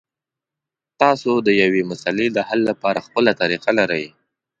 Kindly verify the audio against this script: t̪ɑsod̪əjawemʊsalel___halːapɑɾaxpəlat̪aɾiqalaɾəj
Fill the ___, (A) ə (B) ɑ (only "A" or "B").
A